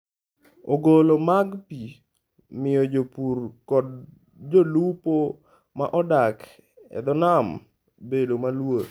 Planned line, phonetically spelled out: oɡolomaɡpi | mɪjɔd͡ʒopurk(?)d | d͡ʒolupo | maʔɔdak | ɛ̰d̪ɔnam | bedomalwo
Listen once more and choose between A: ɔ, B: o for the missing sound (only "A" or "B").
A